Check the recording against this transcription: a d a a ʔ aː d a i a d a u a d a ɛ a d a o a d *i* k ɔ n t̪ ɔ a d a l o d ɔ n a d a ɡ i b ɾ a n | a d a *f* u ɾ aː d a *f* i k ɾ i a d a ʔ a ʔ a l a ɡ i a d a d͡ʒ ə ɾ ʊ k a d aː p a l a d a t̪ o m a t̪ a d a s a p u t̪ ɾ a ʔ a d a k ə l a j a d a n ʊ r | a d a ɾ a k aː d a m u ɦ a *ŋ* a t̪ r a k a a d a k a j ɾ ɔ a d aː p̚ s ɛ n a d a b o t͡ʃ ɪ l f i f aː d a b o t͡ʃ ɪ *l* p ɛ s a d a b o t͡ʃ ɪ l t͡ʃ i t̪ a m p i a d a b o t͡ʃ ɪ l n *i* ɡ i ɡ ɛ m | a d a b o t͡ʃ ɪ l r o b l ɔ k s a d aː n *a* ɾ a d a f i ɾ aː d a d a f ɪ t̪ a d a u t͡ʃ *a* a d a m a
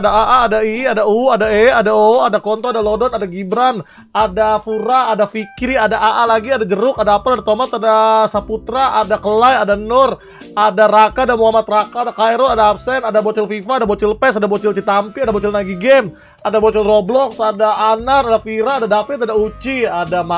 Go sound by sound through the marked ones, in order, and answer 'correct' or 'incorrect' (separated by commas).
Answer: incorrect, correct, correct, incorrect, correct, incorrect, correct, incorrect